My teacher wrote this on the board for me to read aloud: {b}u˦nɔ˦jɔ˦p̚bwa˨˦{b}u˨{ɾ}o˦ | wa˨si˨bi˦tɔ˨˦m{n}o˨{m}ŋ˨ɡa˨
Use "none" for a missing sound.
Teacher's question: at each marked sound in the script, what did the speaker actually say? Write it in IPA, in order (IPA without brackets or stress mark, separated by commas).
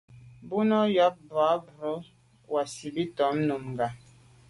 b, b, ɾ, n, m